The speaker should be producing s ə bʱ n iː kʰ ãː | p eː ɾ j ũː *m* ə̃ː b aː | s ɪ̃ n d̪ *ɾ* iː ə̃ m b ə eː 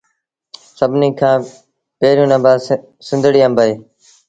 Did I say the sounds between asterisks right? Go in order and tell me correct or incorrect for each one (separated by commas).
incorrect, incorrect